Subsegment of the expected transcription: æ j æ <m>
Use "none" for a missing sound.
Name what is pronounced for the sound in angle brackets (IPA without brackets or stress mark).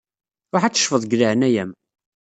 m